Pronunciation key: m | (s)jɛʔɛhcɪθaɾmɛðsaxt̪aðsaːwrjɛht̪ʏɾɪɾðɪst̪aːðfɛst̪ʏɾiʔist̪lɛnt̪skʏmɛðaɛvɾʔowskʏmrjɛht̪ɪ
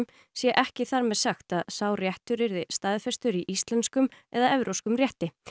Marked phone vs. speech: correct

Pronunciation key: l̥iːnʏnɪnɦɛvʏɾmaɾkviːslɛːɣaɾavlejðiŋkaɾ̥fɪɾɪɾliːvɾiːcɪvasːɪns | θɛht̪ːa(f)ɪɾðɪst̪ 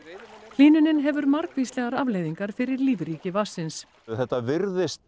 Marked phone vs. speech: incorrect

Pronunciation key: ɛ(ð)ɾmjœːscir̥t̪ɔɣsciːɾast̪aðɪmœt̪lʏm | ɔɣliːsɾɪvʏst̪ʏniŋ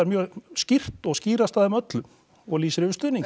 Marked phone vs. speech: incorrect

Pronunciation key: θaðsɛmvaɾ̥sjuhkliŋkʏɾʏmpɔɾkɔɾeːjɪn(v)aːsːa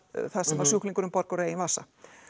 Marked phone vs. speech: correct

